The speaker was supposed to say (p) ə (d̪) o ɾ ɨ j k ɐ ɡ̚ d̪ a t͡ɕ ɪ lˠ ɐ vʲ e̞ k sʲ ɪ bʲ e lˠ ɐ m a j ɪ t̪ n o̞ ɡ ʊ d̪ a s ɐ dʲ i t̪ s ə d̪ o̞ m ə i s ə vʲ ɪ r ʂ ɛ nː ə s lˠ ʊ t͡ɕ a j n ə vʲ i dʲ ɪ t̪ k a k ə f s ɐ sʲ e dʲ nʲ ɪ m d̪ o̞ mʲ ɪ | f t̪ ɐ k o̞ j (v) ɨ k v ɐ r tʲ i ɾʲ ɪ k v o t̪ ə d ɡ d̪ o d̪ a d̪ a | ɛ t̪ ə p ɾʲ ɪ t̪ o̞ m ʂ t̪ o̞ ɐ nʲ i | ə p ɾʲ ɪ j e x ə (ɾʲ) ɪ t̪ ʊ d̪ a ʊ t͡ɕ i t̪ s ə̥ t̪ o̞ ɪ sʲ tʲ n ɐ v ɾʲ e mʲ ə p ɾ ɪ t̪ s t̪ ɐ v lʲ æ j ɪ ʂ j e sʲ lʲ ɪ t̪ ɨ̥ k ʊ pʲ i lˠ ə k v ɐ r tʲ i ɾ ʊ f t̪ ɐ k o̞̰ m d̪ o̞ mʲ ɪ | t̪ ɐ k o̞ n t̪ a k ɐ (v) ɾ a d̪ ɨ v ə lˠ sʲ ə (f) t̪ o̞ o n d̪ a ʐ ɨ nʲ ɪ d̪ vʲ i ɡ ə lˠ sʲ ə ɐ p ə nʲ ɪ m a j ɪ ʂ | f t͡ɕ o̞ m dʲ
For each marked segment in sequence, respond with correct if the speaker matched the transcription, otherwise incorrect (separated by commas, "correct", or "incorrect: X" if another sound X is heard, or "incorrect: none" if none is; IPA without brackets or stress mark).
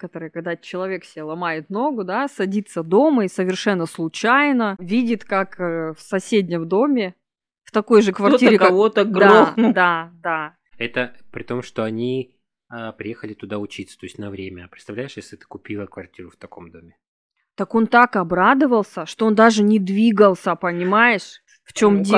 incorrect: k, incorrect: t̪, incorrect: ʐ, incorrect: lʲ, incorrect: b, incorrect: ʂ